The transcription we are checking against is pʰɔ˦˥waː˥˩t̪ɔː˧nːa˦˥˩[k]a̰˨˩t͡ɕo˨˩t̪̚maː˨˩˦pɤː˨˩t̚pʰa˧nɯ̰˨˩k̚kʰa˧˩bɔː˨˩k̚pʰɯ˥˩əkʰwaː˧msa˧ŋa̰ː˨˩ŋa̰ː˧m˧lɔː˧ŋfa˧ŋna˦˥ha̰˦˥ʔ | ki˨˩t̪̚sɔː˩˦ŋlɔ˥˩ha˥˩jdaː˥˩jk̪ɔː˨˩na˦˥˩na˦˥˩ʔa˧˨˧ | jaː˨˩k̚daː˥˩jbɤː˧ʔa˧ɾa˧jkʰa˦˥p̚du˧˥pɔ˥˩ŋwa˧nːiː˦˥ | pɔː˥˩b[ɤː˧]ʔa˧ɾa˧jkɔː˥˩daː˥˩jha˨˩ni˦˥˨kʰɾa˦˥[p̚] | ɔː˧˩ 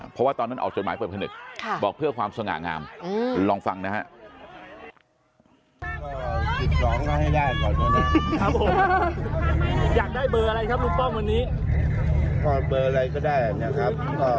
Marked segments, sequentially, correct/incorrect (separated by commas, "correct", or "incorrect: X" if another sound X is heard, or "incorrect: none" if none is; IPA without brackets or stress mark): incorrect: ʔ, correct, correct